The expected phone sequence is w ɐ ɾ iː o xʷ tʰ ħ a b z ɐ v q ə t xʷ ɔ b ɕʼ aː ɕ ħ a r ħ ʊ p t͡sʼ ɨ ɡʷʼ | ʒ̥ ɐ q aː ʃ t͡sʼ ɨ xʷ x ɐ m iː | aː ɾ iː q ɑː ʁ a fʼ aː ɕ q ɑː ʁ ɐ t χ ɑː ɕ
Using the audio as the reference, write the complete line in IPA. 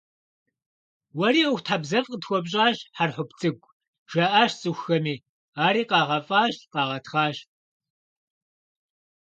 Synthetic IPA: w ɐ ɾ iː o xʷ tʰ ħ a b z ɐ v q ə t xʷ ɔ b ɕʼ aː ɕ ħ a r ħ ʊ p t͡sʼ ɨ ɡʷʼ | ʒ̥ ɐ ʔ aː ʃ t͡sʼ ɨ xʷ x ɐ m iː | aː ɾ iː q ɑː ʁ ɐ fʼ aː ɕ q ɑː ʁ ɐ t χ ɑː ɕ